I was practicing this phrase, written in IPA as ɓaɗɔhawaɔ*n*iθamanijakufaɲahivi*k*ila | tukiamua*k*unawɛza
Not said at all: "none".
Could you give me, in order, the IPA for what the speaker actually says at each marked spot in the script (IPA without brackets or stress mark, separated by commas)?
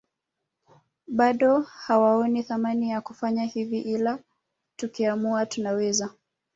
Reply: n, ʔ, t